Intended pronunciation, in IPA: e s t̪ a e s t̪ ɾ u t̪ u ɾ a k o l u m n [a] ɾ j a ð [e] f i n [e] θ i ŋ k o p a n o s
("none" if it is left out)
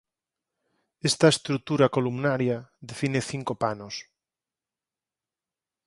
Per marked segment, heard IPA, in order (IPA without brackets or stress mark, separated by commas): a, e, e